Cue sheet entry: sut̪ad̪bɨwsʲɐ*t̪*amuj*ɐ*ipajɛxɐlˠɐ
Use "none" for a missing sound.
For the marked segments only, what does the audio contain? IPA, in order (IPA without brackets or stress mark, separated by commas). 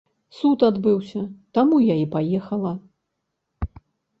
t̪, a